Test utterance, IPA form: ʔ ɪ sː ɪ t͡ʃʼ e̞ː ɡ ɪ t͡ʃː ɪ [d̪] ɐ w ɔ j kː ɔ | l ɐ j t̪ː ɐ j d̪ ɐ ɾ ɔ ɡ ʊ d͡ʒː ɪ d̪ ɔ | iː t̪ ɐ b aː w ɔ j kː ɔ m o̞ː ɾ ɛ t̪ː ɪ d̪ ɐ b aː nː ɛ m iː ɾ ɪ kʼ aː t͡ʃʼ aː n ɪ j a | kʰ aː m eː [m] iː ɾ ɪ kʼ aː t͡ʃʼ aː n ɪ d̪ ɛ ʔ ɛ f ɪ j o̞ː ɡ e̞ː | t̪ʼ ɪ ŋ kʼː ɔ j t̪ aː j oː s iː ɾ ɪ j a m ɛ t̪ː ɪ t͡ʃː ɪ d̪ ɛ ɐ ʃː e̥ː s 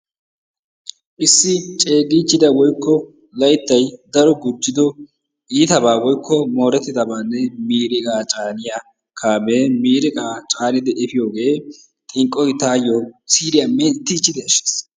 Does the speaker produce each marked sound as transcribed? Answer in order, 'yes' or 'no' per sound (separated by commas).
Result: yes, yes